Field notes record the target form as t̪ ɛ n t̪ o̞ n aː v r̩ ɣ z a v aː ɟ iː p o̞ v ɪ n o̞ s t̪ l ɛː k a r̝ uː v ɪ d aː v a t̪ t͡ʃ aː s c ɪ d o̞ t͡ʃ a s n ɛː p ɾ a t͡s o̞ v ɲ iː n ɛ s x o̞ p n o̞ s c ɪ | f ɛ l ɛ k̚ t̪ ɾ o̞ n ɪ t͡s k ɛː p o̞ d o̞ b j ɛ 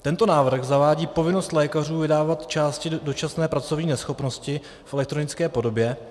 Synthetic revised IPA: t̪ ɛ n t̪ o̞ n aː v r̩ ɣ z a v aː ɟ iː p o̞ v ɪ n o̞ s t̪ l ɛː k a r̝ uː v ɪ d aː v a t̪ t͡ʃ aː s c ɪ d o̞ t͡ʃ a s n ɛː p ɾ a t͡s o̞ v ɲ iː n ɛ s x o̞ p n o̞ s c ɪ | f ɛ l ɛ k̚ t̪ ɾ o̞ n ɪ t͡s k ɛː p o̞ d o̞ b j ɛ